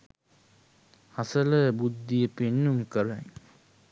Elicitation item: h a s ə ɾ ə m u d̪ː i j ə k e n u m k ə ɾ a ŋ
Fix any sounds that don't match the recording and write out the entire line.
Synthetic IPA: h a s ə l ə b u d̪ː i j ə p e nː u m k ə ɾ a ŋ